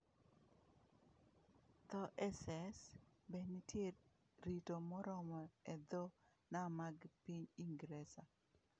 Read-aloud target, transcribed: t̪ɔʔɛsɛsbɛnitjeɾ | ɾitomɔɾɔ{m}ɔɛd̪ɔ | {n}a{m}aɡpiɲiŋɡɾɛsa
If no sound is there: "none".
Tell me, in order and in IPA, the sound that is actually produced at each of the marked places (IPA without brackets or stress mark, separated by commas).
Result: m, n, m